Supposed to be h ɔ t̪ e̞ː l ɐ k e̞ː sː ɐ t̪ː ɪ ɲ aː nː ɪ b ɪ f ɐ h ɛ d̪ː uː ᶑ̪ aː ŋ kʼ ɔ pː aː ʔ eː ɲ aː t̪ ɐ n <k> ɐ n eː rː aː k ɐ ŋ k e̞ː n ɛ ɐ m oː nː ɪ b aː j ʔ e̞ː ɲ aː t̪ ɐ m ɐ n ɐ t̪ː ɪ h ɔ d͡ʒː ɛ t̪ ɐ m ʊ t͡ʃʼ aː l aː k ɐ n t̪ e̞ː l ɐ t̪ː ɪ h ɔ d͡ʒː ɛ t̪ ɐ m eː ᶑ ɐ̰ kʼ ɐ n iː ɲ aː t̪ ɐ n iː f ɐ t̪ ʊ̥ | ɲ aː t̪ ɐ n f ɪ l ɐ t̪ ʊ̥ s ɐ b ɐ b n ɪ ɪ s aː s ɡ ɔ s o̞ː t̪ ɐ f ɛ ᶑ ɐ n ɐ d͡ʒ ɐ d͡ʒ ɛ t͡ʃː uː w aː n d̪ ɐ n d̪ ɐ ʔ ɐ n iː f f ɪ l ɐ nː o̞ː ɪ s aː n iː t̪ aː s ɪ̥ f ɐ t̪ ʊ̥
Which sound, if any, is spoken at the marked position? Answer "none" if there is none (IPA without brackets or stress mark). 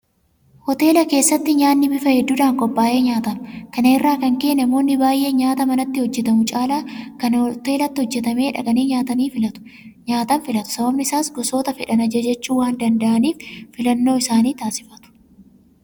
k